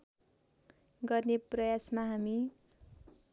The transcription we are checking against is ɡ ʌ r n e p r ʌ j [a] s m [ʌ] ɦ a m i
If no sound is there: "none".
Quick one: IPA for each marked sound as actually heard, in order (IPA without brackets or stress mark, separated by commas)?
a, a